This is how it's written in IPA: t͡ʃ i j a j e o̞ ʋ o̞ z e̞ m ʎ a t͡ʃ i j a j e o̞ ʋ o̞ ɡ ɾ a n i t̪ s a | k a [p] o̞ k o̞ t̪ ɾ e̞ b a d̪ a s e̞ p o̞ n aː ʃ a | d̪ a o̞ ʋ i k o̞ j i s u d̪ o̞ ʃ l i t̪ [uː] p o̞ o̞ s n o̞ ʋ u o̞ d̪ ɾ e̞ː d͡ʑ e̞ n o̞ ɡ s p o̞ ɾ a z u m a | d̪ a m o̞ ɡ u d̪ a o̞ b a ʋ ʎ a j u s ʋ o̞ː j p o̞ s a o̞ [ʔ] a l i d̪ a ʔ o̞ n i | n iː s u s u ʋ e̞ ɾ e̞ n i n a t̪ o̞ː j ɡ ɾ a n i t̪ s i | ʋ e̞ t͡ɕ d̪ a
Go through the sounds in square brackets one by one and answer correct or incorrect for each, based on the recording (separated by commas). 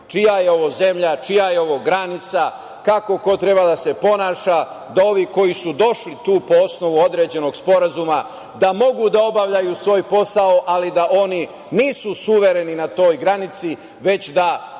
incorrect, correct, correct